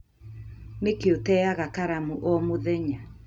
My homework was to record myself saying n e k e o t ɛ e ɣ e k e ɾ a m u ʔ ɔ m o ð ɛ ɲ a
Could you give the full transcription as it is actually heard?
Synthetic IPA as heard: n e k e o t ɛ a ɣ a k a ɾ a m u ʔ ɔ m o ð ɛ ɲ a